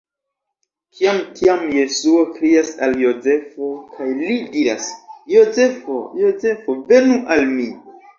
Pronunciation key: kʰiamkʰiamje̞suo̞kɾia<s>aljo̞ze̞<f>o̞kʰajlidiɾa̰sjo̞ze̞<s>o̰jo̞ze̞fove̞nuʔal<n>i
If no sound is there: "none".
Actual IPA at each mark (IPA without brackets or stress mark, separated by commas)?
s, f, f, m